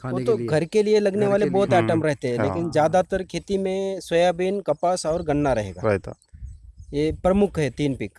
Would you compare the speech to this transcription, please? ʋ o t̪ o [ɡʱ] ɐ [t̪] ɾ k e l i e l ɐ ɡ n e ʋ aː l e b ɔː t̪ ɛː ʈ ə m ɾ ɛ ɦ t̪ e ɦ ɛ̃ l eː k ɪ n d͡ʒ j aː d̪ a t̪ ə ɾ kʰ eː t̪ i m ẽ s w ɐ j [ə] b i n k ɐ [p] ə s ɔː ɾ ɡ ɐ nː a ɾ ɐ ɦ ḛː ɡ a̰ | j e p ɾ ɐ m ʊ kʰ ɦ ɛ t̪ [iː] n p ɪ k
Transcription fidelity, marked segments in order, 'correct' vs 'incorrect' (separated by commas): correct, incorrect, incorrect, correct, correct